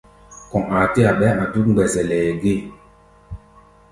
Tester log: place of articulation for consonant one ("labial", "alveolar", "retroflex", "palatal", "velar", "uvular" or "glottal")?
velar